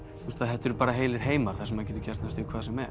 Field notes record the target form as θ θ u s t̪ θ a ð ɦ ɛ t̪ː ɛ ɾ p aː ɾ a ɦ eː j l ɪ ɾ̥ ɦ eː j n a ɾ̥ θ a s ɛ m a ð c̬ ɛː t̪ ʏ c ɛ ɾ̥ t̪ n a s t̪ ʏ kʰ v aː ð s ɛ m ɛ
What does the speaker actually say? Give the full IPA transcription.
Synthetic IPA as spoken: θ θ u s t̪ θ a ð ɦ ɛ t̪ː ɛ ɾ p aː ɾ a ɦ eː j l ɪ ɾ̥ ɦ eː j m a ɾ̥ θ a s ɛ m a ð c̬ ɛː t̪ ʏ c ɛ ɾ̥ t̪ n a s t̪ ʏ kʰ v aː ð s ɛ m ɛ